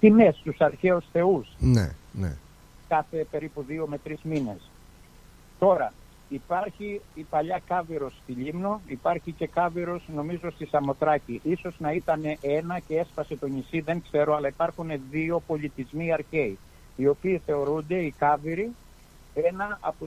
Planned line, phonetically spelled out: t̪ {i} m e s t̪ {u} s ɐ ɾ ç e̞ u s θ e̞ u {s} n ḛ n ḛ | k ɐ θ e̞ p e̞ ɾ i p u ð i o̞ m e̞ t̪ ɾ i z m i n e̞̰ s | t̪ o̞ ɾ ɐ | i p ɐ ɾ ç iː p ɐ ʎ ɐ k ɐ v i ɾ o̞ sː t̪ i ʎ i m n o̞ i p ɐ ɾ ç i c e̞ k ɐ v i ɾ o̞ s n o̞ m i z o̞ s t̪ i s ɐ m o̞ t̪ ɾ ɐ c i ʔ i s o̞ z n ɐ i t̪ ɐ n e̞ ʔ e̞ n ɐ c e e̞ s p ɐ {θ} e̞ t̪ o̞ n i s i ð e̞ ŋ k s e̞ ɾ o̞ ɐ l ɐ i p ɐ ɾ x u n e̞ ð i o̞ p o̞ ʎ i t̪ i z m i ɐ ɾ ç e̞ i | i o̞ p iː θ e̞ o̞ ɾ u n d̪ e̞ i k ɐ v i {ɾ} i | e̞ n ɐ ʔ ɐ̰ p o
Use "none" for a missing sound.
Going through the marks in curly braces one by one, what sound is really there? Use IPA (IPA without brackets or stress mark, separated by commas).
i, u, s, s, ɾ